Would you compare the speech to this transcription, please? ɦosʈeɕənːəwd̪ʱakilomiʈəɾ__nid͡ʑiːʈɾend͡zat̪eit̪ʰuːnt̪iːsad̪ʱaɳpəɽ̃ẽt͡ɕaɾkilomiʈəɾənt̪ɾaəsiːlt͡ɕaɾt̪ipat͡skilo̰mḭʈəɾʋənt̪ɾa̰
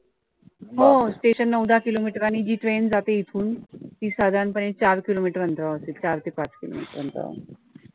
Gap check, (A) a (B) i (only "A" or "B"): A